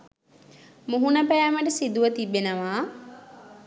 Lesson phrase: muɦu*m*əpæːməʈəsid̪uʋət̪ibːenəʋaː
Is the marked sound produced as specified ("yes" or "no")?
no